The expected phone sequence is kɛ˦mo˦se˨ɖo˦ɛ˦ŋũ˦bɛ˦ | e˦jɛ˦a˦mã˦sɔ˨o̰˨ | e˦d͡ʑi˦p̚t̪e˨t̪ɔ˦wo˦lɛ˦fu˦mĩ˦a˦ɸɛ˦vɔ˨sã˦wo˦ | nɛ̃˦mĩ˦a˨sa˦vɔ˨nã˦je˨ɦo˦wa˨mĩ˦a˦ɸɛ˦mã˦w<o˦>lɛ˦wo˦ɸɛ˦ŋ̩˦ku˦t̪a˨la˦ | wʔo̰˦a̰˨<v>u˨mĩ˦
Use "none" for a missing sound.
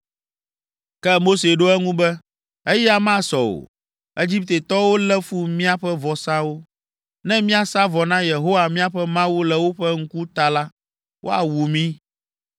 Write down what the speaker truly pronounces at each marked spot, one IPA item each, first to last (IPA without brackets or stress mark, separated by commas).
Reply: u˦, w